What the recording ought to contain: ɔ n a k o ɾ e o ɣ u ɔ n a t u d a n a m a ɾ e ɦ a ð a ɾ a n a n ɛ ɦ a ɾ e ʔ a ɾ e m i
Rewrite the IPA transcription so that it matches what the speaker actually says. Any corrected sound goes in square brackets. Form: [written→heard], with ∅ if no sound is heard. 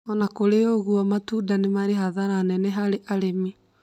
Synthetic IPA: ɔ n a k o ɾ e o ɣ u ɔ [n→m] a t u d a n [a→e] m a ɾ e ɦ a ð a ɾ a n [a→ɛ] n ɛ ɦ a ɾ e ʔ a ɾ e m i